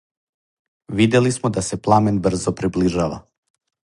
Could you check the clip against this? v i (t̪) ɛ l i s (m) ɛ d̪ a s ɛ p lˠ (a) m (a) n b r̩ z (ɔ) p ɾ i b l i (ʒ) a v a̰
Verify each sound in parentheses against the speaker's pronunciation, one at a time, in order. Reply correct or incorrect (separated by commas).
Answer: incorrect, correct, correct, incorrect, correct, correct